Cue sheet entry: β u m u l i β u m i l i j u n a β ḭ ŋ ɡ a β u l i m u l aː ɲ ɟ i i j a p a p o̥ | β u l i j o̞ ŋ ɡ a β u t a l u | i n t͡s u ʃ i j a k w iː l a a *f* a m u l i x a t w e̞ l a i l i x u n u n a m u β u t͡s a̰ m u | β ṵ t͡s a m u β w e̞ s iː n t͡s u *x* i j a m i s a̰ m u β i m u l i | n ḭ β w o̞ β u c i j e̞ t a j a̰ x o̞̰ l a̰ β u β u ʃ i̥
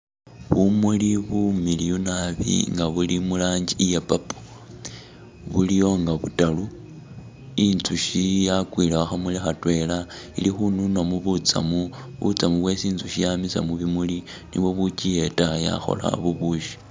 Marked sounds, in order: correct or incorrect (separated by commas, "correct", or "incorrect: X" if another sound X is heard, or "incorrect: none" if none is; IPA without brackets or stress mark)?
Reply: incorrect: x, incorrect: ʃ